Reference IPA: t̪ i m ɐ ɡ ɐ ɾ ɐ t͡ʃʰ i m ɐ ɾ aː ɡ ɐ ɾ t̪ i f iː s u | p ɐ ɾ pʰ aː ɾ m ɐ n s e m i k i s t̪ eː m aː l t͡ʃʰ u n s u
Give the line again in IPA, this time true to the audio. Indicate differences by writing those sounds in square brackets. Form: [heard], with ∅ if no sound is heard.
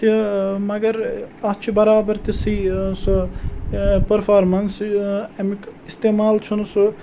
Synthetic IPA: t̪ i m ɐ ɡ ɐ ɾ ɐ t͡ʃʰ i [b] ɐ ɾ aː [b] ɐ ɾ t̪ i [s] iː s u | p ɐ ɾ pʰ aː ɾ m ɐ n s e m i k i s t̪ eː m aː l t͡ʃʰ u n s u